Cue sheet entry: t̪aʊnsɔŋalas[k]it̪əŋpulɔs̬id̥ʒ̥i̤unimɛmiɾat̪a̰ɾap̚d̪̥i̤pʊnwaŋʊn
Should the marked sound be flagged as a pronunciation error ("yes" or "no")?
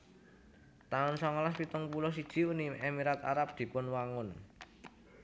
yes